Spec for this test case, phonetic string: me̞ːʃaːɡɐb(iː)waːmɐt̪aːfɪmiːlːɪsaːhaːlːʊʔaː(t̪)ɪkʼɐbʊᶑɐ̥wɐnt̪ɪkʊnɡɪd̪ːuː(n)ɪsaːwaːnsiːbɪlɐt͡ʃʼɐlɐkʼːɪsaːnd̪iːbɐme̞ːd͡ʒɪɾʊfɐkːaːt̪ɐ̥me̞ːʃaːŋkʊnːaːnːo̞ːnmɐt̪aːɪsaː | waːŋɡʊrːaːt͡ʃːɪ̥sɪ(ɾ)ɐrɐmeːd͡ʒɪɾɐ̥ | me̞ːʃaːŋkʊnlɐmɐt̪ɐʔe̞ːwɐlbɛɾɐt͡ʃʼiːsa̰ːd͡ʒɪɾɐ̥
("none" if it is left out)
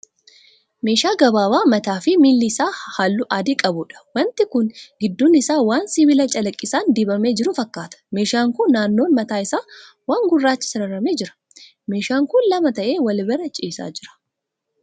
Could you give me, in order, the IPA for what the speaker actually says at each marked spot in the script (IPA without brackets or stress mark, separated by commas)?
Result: aː, d̪, n, ɾ